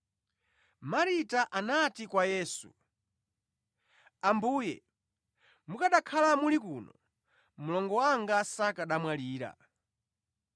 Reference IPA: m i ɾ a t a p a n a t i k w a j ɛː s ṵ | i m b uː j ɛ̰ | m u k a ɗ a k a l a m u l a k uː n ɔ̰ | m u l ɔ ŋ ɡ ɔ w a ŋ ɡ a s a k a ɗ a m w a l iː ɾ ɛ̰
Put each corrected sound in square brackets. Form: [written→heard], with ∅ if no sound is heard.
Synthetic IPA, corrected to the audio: m [i→a] ɾ [a→i] t a [p→ʔ] a n a t i k w a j ɛː s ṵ | [i→a] m b uː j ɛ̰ | m u k a ɗ a [k→kʰ] a l a m u l [a→i] k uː n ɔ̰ | m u l ɔ ŋ ɡ ɔ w a ŋ ɡ a s a k a ɗ a m w a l iː ɾ [ɛ̰→a̰]